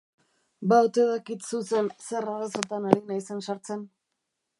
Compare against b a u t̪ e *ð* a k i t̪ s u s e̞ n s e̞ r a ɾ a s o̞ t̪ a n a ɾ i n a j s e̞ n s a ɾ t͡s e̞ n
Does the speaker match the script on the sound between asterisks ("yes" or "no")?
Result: yes